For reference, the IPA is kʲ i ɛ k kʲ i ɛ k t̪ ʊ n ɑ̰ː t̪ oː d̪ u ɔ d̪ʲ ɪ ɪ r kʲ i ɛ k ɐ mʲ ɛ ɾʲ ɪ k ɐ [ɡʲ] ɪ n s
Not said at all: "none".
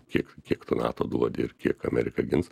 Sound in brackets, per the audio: ɡʲ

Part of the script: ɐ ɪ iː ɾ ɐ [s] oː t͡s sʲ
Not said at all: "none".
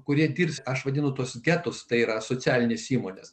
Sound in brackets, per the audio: s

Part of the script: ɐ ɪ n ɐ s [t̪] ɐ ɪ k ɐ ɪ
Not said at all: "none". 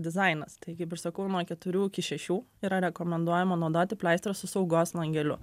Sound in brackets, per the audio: t̪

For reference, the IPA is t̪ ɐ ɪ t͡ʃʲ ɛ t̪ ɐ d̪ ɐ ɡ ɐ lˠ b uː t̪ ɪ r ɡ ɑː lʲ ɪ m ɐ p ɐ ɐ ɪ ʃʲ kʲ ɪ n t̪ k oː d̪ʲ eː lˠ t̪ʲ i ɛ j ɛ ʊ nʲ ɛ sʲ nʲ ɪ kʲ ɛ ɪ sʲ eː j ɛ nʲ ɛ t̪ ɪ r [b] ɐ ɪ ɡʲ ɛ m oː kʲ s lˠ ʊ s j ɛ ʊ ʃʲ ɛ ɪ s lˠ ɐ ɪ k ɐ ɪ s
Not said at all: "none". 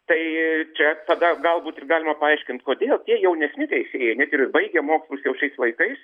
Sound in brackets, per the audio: b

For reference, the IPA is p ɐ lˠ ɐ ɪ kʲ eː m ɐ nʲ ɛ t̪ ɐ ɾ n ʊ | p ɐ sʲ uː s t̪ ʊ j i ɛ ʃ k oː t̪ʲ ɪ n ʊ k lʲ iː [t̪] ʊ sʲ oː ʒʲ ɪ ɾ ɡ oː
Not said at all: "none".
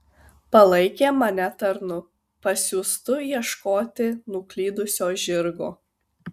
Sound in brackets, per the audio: d̪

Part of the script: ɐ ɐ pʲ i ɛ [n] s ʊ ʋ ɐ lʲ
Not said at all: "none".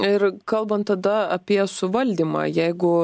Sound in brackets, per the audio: none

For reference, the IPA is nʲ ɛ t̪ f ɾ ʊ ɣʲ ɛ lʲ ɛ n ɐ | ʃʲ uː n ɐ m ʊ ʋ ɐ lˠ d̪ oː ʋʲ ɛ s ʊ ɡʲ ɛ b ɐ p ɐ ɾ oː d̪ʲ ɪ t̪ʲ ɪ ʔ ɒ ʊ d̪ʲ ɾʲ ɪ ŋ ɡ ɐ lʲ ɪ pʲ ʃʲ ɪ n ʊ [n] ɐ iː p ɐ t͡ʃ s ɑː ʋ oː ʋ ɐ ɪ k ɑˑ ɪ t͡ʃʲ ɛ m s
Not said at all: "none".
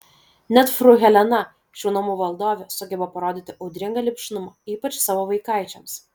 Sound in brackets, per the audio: m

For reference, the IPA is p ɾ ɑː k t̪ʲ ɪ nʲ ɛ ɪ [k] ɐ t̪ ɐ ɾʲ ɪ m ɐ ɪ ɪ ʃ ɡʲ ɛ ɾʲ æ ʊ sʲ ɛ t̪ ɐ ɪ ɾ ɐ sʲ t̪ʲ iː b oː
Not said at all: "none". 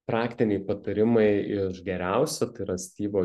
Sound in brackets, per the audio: p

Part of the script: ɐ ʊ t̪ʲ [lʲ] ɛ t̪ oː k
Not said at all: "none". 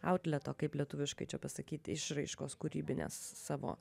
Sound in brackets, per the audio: lʲ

